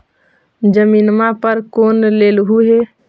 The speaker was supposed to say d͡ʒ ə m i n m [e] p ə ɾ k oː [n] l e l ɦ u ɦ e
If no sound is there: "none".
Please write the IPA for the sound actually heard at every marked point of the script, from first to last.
a, n

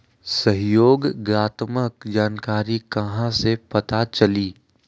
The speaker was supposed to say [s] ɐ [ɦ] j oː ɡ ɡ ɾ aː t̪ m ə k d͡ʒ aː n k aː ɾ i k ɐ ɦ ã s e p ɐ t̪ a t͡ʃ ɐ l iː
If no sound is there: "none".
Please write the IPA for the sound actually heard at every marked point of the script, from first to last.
s, ɦ

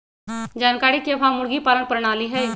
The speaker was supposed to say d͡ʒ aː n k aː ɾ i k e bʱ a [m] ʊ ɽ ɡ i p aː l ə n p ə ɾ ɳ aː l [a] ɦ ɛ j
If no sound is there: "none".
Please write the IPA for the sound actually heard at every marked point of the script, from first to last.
m, i

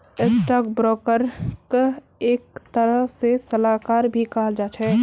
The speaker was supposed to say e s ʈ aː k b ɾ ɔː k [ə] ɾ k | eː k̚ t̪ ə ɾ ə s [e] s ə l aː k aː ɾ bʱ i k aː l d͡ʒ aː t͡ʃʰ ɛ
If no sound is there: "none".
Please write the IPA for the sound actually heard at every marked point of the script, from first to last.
ə, e

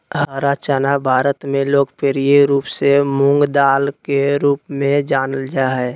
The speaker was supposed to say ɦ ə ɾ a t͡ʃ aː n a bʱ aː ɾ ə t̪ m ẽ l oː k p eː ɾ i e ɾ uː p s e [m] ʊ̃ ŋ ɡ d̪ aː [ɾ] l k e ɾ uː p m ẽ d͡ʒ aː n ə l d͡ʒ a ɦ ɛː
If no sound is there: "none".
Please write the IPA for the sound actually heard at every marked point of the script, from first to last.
m, none

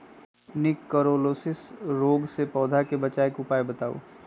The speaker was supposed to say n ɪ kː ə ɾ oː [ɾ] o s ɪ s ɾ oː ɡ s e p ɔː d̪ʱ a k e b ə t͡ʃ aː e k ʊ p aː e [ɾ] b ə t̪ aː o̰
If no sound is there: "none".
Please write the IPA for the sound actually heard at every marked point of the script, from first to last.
l, none

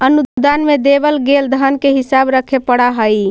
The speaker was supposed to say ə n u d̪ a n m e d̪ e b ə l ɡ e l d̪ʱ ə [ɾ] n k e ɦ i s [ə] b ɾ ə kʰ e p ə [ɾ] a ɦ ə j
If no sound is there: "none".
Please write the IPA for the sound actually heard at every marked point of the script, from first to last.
none, a, ɽ

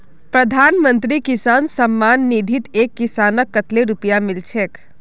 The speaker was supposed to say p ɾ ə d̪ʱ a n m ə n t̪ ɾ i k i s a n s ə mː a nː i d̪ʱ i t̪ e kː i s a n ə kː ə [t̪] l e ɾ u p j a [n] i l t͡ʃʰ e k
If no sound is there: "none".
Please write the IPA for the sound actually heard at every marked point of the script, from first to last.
t̪, m

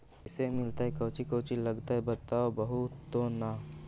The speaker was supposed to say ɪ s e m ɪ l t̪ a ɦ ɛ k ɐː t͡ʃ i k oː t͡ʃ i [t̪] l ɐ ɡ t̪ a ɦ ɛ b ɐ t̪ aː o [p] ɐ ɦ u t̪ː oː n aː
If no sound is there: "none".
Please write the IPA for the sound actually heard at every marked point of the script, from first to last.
none, b

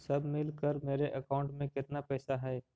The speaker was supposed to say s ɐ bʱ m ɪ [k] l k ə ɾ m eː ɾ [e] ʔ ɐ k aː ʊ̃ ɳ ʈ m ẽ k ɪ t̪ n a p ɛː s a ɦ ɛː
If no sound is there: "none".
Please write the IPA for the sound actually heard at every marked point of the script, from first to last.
none, e

